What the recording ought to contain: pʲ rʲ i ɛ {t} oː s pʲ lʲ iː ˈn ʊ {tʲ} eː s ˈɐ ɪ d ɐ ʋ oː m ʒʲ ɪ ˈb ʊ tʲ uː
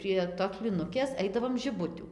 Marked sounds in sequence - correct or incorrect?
correct, incorrect: kʲ

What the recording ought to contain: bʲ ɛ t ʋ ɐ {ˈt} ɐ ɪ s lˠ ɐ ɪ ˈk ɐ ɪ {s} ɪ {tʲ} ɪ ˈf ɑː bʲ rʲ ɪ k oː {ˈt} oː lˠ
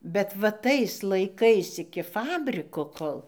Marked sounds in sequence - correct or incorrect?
correct, correct, incorrect: kʲ, incorrect: k

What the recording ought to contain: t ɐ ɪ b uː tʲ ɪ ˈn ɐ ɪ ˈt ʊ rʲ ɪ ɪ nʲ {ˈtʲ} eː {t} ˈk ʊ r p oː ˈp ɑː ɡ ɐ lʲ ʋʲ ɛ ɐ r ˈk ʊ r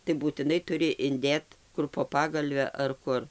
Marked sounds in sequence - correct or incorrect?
incorrect: dʲ, correct

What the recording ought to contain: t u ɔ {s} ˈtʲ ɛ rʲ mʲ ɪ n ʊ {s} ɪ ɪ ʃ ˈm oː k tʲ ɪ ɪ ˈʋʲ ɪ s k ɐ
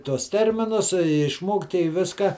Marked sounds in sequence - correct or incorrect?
correct, correct

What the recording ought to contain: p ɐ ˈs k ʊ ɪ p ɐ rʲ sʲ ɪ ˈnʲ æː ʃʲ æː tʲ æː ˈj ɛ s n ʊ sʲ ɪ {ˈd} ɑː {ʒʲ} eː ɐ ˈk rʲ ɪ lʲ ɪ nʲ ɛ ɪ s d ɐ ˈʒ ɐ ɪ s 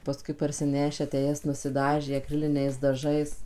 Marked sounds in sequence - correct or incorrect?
correct, correct

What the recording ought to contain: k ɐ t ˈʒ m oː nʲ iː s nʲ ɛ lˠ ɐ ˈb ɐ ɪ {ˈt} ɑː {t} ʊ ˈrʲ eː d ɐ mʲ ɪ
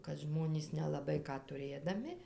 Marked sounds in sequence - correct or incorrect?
incorrect: k, correct

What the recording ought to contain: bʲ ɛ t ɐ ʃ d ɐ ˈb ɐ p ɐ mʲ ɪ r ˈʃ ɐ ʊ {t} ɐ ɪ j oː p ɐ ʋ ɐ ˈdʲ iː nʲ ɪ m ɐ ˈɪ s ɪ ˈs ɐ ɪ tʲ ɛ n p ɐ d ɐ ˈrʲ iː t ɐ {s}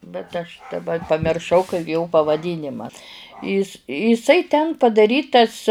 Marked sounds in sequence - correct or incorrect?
incorrect: k, correct

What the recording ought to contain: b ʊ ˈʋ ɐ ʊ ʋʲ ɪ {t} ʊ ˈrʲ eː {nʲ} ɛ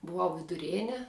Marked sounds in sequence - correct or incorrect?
incorrect: d, correct

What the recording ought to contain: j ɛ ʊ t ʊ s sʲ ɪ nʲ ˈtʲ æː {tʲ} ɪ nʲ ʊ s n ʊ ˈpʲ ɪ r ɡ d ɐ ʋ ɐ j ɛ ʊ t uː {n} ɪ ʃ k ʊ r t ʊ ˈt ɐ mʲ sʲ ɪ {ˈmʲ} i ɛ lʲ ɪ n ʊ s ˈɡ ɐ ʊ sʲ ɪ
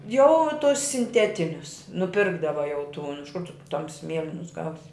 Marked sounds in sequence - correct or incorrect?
correct, correct, correct

